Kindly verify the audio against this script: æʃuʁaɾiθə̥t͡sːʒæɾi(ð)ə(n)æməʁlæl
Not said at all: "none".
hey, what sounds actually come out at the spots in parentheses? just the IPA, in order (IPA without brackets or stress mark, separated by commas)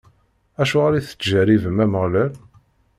v, m